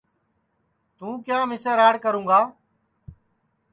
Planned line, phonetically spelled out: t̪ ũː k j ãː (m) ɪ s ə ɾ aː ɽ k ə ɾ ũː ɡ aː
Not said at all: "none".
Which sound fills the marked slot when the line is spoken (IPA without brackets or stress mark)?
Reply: m